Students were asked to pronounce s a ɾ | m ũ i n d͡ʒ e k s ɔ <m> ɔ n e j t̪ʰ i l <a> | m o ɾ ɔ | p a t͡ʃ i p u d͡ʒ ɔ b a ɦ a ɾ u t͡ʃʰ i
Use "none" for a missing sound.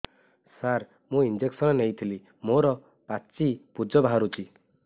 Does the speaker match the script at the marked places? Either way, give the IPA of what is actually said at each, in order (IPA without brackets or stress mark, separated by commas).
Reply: n, i